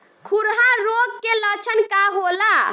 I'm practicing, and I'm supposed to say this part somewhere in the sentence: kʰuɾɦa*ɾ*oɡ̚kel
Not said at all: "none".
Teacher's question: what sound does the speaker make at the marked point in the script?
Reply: ɾ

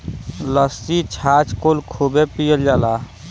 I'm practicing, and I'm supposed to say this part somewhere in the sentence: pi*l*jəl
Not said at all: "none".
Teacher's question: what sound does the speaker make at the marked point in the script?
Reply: none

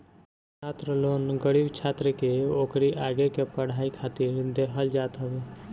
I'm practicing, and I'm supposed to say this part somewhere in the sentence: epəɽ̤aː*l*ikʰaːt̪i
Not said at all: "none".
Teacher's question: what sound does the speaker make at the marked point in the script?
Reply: none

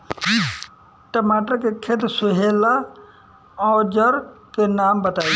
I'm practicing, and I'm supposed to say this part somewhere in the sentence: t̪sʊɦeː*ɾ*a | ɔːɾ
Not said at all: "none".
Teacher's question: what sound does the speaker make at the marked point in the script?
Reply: l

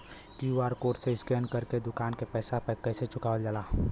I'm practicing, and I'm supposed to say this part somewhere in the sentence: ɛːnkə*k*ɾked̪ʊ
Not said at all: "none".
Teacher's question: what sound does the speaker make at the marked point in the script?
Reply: none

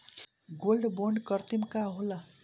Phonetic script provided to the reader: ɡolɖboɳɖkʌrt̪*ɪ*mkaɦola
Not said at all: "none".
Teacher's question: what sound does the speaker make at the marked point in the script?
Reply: i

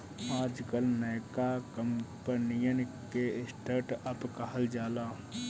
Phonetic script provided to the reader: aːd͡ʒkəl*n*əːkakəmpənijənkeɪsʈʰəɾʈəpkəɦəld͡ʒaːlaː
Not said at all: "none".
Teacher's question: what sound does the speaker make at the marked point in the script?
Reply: n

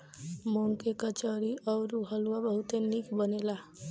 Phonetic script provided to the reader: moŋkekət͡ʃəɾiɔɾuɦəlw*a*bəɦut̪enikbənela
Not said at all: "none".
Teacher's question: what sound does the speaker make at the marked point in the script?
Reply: a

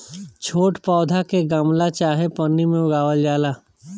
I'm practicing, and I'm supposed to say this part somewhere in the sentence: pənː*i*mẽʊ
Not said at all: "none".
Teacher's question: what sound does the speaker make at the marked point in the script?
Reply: i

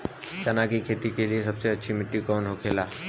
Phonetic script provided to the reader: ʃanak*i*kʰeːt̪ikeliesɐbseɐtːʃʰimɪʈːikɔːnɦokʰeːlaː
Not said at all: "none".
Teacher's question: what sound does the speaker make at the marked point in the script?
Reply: i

